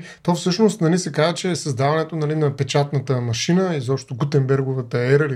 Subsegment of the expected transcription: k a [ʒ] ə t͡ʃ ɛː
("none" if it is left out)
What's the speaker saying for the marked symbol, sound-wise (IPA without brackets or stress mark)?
z